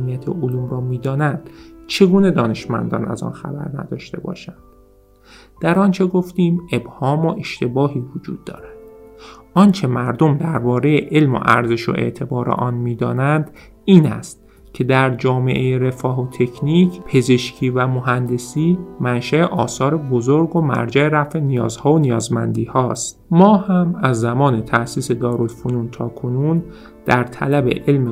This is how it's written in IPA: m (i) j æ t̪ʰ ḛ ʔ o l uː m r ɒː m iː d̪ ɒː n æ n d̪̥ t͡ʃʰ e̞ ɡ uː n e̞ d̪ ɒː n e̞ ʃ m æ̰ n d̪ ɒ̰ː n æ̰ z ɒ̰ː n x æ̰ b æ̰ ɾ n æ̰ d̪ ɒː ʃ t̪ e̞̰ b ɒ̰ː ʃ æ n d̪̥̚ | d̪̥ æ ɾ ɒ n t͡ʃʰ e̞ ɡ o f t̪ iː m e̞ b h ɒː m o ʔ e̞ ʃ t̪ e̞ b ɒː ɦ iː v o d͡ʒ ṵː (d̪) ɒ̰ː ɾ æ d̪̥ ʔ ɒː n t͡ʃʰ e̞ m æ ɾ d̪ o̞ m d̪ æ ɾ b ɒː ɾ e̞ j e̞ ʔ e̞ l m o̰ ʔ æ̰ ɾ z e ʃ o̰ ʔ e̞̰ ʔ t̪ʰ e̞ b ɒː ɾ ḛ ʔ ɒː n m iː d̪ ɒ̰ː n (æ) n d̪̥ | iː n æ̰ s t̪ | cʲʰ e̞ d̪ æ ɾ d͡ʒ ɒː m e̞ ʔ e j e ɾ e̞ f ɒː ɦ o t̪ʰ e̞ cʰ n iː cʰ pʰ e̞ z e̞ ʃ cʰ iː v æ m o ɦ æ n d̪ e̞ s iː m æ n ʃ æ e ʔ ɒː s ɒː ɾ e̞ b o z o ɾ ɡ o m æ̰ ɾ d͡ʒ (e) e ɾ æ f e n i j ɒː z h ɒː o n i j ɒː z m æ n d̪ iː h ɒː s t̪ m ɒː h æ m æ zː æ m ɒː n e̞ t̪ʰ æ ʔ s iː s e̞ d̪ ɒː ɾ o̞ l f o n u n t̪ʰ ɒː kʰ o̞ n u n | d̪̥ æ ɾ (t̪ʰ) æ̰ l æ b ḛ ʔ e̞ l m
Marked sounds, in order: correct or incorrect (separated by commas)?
correct, incorrect, correct, incorrect, correct